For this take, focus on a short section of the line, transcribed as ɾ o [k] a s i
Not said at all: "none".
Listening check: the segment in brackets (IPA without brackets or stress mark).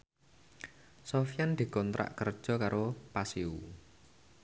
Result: p